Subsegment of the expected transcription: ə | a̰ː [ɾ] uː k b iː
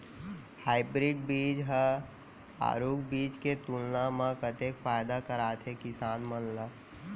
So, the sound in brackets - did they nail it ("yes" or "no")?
yes